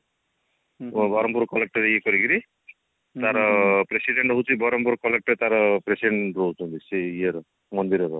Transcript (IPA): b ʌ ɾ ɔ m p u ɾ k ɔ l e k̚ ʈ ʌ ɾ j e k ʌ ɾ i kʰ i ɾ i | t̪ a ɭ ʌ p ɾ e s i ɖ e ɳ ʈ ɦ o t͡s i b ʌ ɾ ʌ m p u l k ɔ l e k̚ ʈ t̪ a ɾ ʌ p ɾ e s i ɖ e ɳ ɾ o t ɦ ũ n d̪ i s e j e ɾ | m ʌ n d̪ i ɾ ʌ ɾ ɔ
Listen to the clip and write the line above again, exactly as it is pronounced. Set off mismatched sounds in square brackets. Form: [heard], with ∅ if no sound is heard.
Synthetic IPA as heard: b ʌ ɾ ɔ m p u ɾ k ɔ l e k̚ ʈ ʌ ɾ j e k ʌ ɾ i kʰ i ɾ i | t̪ a [ɾ] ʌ p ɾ e s i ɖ e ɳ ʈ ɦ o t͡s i b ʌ ɾ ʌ m p u [ɾ] k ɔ l e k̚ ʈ t̪ a ɾ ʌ p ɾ e s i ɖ e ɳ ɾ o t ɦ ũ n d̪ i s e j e ɾ | m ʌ n d̪ i ɾ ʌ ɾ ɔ